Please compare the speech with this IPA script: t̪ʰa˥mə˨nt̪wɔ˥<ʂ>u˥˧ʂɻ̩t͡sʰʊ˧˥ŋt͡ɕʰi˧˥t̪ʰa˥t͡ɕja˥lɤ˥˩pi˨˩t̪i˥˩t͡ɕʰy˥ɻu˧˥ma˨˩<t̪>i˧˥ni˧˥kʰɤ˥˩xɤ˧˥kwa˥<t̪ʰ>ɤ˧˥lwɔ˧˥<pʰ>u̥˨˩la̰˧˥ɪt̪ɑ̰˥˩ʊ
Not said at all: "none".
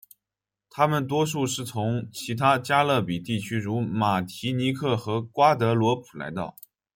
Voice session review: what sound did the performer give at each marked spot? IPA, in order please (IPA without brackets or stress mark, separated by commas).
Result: ʂ, t̪ʰ, t̪, pʰ